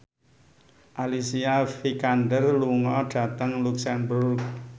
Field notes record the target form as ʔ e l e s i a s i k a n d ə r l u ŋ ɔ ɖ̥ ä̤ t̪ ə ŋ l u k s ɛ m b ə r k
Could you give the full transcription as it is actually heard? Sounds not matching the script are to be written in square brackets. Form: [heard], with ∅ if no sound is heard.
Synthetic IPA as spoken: ʔ [a] l [i] s i a [f] i k a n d ə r l u ŋ ɔ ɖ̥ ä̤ t̪ ə ŋ l u k s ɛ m b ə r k